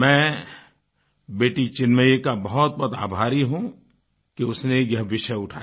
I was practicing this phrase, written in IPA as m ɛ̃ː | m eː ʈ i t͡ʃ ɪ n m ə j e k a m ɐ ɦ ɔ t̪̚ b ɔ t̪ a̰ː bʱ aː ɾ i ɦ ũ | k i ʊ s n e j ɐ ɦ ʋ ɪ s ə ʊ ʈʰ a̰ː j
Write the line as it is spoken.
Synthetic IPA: m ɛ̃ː | b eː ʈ i t͡ʃ ɪ n m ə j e k a b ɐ ɦ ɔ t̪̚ b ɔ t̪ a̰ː bʱ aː ɾ i ɦ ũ | k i ʊ s n e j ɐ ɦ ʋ ɪ ʃ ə ʊ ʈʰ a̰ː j